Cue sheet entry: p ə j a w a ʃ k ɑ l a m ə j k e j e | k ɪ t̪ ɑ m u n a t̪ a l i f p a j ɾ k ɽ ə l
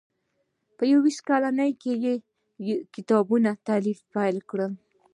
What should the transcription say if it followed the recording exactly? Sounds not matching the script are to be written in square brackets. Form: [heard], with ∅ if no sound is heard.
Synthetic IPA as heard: p ə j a w [i] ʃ k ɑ l a [n] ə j k e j e | k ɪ t̪ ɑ [b] u n a t̪ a l i f p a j [l] k ɽ ə l

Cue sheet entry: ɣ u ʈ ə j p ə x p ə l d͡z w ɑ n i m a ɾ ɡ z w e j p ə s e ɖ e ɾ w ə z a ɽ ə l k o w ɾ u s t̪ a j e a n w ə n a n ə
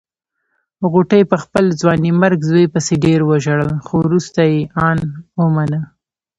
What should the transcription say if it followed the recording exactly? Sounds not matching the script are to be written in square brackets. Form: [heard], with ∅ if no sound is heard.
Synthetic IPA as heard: ɣ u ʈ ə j p ə x p ə l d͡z w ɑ n i m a ɾ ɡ z w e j p ə s e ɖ e ɾ w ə [ʒ] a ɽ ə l [x] o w ɾ u s t̪ a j e [ɑ] n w ə [m] a n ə

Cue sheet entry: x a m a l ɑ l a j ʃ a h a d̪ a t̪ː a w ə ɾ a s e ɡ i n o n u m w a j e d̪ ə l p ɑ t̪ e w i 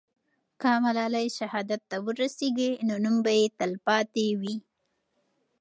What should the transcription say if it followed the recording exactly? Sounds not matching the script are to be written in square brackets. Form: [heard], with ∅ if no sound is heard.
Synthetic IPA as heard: [k] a m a l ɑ l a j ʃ a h [ɑ] d̪ a t̪ː a w ə ɾ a s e ɡ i n o n u m [b] a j e [t̪] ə l p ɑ t̪ e w i

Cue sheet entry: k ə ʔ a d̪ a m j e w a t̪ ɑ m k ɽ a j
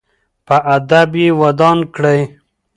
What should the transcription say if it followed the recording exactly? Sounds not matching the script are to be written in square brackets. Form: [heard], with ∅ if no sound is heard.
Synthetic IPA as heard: [p] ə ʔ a d̪ a [b] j e w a [d̪] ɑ [n] k ɽ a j

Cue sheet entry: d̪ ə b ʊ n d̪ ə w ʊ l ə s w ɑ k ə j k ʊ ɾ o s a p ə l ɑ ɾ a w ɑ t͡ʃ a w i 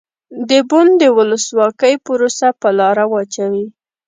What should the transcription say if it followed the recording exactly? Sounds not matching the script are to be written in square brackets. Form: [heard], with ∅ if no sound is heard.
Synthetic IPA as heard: d̪ ə b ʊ n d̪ ə w ʊ l ə s w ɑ k ə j [p] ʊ ɾ o s a p ə l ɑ ɾ a w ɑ t͡ʃ a w i

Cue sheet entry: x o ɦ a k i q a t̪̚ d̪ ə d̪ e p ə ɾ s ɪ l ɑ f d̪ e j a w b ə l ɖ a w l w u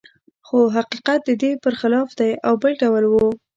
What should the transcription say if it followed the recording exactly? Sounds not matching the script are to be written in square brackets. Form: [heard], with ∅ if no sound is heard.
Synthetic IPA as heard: x o ɦ a [q] i q a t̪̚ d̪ ə d̪ e p ə ɾ [x] ɪ l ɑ f d̪ [a] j a w b ə l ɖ a w l w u

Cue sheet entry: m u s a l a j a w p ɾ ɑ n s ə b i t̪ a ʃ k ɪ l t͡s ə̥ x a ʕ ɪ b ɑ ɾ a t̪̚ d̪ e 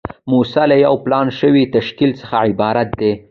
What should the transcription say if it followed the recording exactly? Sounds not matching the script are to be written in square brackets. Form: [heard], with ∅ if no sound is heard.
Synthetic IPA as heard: m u s a l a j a w p [l] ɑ n [ʃ] ə [w] i t̪ a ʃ k [i] l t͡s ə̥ x a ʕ ɪ b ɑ ɾ a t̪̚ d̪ e

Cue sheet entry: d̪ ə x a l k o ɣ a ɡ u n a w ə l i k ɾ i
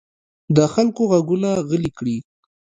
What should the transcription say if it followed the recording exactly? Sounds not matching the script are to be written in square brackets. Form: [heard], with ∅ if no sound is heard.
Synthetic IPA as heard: d̪ ə x a l k o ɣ a ɡ u n a [ɣ] ə l i k [ɽ] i

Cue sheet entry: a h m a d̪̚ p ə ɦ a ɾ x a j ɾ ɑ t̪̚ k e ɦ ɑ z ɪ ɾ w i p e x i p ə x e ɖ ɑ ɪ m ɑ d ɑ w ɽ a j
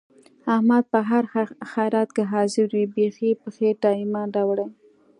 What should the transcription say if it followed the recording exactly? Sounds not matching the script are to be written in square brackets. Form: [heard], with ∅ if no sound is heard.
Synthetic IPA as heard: a h m a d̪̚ p ə ɦ a ɾ x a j ɾ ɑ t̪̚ k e ɦ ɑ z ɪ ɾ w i [b] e x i p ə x e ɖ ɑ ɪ m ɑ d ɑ w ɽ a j

